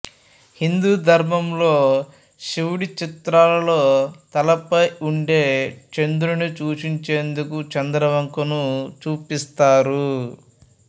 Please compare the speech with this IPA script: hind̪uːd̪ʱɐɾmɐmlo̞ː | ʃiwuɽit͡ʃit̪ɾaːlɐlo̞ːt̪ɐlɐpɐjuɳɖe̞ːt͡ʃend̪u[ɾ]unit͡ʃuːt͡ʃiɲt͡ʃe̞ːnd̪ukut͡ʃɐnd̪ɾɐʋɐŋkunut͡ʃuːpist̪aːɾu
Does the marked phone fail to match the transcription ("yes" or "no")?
no